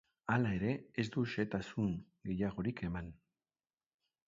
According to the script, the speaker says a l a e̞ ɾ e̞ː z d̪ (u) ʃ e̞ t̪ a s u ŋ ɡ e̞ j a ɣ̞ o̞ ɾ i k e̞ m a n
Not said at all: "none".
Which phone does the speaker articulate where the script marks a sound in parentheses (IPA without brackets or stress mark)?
u